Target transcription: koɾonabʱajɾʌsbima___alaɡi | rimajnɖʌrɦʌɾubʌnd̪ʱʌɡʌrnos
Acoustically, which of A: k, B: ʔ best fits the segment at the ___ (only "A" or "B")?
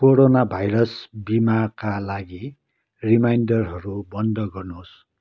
A